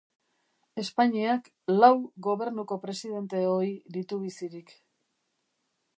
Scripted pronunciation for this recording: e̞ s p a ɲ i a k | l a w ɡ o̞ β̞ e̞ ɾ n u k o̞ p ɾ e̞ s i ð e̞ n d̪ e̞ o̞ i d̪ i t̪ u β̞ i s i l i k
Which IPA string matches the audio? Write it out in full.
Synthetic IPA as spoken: e̞ s p a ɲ i a k | l a w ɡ o̞ β̞ e̞ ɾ n u k o̞ p ɾ e̞ s i ð e̞ n t̪ e̞ o̞ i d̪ i t̪ u β̞ i s i ɾ i k